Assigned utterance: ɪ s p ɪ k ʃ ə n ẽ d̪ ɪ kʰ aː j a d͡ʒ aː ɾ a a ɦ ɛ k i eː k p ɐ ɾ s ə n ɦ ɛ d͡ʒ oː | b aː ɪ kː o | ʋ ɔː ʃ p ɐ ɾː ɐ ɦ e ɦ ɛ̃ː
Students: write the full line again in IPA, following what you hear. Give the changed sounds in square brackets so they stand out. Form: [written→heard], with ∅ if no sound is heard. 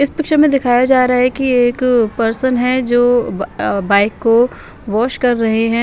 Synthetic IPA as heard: ɪ s p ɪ k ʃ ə [n→m] ẽ d̪ ɪ kʰ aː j a d͡ʒ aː ɾ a a ɦ ɛ k i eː k p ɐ ɾ s ə n ɦ ɛ d͡ʒ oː | b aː ɪ kː o | ʋ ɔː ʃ [p→k] ɐ ɾː ɐ ɦ e ɦ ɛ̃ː